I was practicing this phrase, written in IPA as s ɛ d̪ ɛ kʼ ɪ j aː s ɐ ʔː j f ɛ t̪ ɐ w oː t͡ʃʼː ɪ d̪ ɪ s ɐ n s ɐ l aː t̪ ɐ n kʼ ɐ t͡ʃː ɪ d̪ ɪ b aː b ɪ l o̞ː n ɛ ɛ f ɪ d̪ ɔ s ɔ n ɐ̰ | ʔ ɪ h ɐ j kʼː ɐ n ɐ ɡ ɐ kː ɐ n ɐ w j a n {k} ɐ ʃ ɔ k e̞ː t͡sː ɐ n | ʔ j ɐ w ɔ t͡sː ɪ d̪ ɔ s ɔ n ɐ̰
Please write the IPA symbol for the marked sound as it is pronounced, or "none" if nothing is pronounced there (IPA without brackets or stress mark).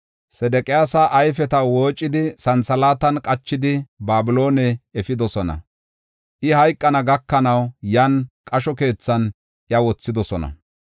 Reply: kʼ